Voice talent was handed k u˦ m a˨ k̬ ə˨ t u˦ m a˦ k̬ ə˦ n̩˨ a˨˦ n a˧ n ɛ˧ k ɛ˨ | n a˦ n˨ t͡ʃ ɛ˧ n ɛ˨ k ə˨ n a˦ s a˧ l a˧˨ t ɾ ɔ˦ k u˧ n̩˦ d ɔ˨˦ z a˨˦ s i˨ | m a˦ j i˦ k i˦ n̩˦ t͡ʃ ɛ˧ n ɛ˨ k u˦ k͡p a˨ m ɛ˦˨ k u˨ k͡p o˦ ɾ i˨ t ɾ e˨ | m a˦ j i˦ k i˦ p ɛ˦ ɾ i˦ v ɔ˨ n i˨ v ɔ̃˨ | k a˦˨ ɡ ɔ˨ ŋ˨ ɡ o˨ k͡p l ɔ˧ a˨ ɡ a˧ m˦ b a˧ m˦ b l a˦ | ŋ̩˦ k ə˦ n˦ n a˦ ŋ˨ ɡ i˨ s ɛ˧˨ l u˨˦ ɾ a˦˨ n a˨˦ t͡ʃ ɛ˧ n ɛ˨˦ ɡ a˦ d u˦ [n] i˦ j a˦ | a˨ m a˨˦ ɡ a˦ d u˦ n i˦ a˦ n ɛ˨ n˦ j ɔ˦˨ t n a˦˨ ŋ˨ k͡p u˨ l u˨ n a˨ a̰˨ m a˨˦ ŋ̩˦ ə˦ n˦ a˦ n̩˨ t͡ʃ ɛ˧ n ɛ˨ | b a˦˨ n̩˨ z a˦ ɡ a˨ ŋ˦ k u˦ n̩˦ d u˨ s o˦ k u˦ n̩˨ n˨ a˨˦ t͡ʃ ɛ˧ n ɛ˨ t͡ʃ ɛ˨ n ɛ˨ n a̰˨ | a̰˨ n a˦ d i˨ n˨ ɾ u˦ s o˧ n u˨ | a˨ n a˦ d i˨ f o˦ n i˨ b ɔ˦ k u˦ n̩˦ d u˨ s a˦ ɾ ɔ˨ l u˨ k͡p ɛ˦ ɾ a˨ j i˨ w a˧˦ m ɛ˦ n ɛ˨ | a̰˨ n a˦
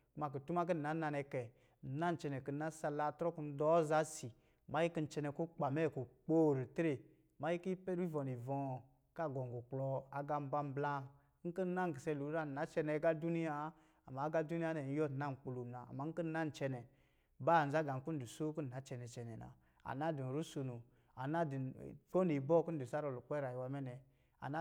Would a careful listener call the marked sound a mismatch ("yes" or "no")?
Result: no